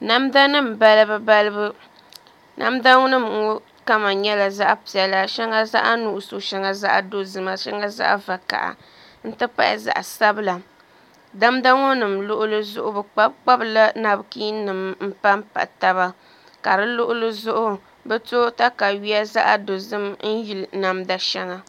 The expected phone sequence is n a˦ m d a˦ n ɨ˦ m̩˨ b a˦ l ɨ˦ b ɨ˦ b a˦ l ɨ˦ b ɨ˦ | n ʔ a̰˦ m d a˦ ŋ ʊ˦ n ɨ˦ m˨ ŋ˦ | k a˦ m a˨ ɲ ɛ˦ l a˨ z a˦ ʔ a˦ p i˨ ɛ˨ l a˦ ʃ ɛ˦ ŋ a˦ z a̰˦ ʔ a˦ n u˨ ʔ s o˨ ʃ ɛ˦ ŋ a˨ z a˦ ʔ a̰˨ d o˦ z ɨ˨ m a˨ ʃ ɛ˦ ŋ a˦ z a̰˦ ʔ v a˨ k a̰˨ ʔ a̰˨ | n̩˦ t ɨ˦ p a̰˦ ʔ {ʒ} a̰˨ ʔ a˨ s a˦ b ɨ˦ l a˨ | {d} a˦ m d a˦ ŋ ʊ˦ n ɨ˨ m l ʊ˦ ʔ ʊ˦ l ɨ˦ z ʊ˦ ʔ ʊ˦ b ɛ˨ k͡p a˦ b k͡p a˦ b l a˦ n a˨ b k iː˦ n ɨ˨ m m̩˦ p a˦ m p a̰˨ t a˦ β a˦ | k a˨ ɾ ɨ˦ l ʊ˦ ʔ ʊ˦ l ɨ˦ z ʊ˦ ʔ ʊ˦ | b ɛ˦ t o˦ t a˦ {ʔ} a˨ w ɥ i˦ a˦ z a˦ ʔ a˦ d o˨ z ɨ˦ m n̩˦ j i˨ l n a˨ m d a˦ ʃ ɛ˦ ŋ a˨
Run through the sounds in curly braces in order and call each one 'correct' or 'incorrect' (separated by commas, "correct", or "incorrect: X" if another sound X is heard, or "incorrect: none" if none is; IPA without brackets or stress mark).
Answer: incorrect: z, correct, incorrect: k